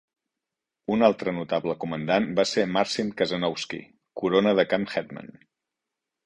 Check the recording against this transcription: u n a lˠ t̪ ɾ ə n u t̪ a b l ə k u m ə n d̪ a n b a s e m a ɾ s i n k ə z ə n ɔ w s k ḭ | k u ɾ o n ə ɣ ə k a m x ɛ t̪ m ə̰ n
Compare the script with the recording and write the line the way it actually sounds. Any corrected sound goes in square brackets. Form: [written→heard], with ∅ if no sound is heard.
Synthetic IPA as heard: u n a lˠ t̪ ɾ ə n u t̪ a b l ə k u m ə n d̪ a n b a s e m a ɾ s i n k ə z ə n ɔ w s k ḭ | k u ɾ o n ə [ɣ→ð] ə k a m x ɛ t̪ m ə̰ n

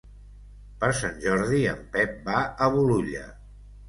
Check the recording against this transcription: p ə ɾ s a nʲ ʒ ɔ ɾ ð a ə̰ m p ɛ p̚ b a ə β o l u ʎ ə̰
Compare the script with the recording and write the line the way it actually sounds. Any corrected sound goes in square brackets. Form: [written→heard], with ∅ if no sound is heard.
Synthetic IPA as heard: p ə ɾ s a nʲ ʒ ɔ ɾ ð [a→i] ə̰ m p ɛ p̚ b a ə β [o→u] l u ʎ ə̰

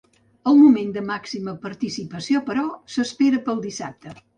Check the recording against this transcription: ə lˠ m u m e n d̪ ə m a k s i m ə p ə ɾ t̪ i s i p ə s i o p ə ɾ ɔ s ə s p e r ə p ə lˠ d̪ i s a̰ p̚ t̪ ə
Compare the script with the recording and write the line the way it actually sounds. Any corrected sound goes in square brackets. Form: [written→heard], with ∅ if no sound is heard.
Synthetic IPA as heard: ə lˠ m u m e n d̪ ə m a k s i m ə p ə ɾ t̪ i s i p ə s i o p ə ɾ ɔ s ə s p e [r→ɾ] ə p ə lˠ d̪ i s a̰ p̚ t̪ ə

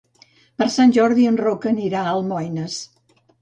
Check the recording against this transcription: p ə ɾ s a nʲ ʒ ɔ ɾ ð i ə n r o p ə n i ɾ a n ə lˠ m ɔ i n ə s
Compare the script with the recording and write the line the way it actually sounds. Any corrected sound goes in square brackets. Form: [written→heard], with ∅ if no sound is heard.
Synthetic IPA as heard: p ə ɾ s a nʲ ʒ ɔ ɾ ð i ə n r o [p→k] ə n i ɾ a [n→∅] ə lˠ m ɔ [i→j] n ə s

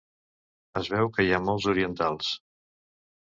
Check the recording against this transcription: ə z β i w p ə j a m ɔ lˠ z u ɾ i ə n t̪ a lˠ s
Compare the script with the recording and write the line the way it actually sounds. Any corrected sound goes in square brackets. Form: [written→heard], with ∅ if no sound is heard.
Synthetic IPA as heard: ə z β [i→ɛ] w [p→k] ə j a m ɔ lˠ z u ɾ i ə n t̪ a lˠ s

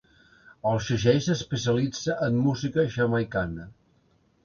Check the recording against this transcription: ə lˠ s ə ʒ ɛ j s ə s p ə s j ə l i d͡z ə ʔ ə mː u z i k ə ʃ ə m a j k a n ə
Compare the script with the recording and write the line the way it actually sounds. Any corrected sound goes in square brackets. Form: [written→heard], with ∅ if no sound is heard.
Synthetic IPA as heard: ə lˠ [s→ʃ] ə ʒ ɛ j s ə s p ə s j ə l i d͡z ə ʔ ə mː u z i k ə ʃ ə m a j k a n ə

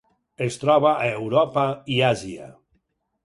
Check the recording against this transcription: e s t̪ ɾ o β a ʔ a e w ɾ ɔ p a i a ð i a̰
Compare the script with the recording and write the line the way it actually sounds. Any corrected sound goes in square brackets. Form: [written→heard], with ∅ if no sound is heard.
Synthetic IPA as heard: e s t̪ ɾ [o→ɔ] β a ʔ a e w ɾ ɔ p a i a [ð→z] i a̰

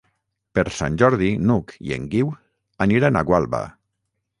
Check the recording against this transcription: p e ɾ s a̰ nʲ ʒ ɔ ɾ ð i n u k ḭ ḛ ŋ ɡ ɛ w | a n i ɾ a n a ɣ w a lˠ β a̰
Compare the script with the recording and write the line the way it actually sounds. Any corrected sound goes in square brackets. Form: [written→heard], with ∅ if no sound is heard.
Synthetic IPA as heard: p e ɾ s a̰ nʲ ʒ ɔ ɾ ð i n u k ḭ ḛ ŋ ɡ [ɛ→i] w | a n i ɾ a n a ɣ w a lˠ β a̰

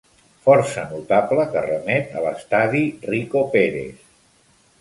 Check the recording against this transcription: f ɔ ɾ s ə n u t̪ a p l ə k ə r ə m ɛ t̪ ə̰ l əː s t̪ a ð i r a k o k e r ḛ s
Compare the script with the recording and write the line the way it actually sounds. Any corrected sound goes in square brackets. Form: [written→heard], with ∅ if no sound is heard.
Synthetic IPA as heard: f ɔ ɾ s ə n u t̪ a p l ə k ə r ə m ɛ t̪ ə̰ l [əː→ə] s t̪ a ð i r [a→i] k o [k→p] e [r→ɾ] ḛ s

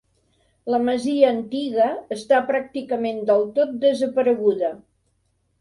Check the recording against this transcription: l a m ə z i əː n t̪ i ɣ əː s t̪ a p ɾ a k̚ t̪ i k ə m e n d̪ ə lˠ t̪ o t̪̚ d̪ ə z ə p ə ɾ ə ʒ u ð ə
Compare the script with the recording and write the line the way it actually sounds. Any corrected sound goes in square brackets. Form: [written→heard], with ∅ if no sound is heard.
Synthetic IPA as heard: l [a→ə] m ə z i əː n t̪ i ɣ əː s t̪ a p ɾ a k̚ t̪ i k ə m e n d̪ ə lˠ t̪ o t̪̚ d̪ ə z ə p ə ɾ ə [ʒ→ɣ] u ð ə

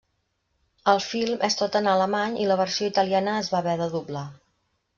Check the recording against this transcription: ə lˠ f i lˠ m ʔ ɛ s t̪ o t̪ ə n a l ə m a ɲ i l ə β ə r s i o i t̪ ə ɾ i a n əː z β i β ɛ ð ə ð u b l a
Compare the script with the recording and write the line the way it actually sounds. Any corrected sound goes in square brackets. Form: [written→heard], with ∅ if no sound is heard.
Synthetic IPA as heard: ə lˠ f i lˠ m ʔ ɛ s t̪ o t̪ ə n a l ə m a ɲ i l ə β ə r s i o i t̪ ə [ɾ→l] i a n əː z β [i→a] β ɛ ð ə ð u b l a

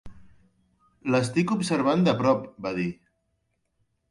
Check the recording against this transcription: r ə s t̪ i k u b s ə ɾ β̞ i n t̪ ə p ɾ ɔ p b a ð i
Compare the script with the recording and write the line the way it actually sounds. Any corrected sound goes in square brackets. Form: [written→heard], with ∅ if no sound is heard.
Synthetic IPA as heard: [r→l] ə s t̪ i k u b s ə ɾ β̞ [i→a] n [t̪→d̪] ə p ɾ ɔ p b a ð i

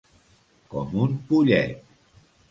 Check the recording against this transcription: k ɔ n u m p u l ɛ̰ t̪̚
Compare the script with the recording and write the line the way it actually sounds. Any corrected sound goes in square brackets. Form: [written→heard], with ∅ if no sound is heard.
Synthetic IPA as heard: k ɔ [n→m] u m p u [l→ʎ] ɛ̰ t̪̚

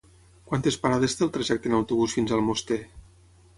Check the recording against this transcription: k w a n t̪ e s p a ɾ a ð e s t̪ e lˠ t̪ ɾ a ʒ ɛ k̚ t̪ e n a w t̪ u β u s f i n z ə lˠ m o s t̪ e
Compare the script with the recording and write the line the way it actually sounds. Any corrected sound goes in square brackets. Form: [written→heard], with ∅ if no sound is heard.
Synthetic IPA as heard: k w a n t̪ e s p a ɾ a ð e s t̪ e lˠ t̪ ɾ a ʒ ɛ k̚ t̪ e n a w t̪ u β u s f i n z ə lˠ m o s t̪ e

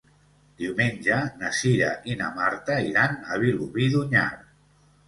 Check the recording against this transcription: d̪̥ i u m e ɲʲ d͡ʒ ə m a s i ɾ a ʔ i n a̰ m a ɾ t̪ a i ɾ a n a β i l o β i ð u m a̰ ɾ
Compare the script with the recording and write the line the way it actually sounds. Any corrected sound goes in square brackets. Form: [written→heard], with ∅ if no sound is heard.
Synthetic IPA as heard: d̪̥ i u m e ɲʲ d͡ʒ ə [m→n] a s i ɾ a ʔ i n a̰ m a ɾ t̪ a i ɾ a n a β i l [o→u] β i ð u [m→ɲ] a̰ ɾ

